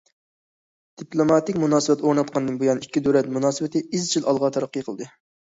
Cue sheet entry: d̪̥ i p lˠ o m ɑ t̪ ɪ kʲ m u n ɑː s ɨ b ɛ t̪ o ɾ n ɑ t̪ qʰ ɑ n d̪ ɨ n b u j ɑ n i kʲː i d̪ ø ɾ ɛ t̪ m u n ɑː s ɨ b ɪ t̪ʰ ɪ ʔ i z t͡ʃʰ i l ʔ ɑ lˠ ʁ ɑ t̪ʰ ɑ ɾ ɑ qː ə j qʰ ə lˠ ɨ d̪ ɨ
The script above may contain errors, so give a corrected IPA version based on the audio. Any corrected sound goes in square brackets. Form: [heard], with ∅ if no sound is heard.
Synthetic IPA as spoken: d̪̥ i p lˠ o m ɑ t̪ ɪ kʲ m u n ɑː s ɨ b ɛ t̪ o ɾ n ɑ t̪ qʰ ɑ n d̪ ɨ n b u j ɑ n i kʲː i d̪ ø ɾ ɛ t̪ m u n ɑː s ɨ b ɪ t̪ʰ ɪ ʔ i z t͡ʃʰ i l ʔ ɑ lˠ ʁ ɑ t̪ʰ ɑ ɾ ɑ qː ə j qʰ ə lˠ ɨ d̪ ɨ